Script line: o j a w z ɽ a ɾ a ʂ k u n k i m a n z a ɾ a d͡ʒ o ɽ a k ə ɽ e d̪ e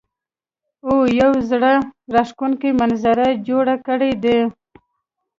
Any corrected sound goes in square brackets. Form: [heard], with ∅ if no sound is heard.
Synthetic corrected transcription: o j a w z ɽ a ɾ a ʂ k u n k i m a n z a ɾ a d͡ʒ o ɽ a k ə ɽ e d̪ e